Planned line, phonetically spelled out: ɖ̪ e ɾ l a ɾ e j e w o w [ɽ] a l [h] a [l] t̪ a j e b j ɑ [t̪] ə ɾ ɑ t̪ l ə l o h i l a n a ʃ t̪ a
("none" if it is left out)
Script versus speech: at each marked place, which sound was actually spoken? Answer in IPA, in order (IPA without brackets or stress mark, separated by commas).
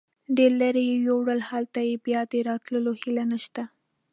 ɽ, h, l, d̪